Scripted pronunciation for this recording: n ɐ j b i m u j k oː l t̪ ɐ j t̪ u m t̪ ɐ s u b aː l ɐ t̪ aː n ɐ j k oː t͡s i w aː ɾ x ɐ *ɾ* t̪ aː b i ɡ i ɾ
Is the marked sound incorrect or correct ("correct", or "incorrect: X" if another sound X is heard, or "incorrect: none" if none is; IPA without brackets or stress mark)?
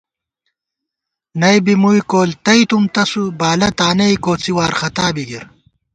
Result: incorrect: none